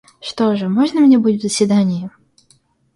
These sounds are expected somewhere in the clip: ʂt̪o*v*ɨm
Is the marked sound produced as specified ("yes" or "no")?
no